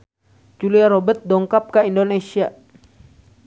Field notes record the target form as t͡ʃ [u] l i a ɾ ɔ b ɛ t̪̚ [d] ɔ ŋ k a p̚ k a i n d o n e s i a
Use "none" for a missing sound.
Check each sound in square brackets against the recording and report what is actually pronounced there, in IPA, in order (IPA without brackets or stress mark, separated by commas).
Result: u, d